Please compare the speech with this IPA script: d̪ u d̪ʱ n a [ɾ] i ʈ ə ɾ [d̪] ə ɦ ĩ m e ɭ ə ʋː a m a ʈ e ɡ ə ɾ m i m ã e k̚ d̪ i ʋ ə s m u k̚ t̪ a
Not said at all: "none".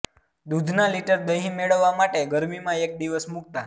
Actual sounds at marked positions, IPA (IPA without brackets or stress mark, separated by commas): l, d̪